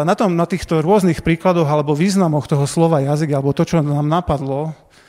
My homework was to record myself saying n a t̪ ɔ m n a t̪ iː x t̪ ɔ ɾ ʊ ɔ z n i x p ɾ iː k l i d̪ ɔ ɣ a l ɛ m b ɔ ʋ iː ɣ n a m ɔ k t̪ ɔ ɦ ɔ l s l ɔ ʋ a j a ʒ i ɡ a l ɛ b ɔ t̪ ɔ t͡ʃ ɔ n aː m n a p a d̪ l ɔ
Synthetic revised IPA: n a t̪ ɔ m n a t̪ iː x t̪ ɔ ɾ ʊ ɔ z n i x p ɾ iː k l a d̪ ɔ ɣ a l ɛ b ɔ ʋ iː z n a m ɔ x t̪ ɔ ɦ ɔ s l ɔ ʋ a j a z i ɡ a l ɛ b ɔ t̪ ɔ t͡ʃ ɔ n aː m n a p a d̪ l ɔ